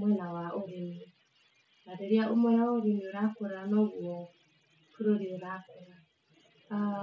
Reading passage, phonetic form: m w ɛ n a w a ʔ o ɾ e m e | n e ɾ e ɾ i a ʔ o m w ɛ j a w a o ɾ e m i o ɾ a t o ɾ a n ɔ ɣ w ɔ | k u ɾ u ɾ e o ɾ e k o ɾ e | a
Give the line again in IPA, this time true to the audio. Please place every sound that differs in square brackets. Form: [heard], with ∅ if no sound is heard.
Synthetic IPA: m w ɛ n a w a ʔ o ɾ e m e | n [a] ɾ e ɾ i a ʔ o m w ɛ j a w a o ɾ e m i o ɾ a [k] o ɾ a n ɔ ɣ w ɔ | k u ɾ [o] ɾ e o ɾ [a] k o ɾ [a] | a